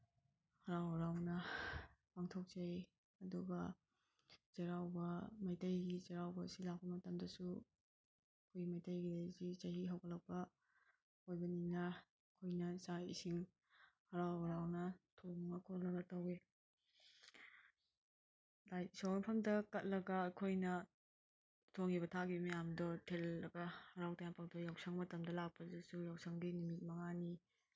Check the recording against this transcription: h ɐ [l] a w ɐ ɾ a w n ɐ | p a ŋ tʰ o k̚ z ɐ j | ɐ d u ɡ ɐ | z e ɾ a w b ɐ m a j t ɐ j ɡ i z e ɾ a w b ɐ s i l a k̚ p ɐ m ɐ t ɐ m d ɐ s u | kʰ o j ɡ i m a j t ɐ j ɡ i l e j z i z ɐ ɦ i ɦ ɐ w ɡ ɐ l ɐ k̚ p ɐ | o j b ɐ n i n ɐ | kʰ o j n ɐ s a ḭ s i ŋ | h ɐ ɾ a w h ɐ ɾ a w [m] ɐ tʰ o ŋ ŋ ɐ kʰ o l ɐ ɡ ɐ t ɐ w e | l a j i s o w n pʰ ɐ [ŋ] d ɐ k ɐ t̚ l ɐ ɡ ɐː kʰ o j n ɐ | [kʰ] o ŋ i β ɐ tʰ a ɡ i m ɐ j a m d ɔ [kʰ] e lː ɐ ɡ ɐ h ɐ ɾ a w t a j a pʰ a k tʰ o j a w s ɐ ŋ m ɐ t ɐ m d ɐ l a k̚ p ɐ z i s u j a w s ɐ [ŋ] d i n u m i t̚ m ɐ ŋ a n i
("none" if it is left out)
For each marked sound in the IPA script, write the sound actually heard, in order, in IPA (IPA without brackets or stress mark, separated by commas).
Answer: ɾ, n, m, tʰ, tʰ, ŋ